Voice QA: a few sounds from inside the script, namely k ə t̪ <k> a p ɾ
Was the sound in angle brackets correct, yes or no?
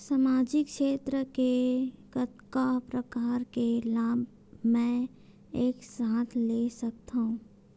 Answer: yes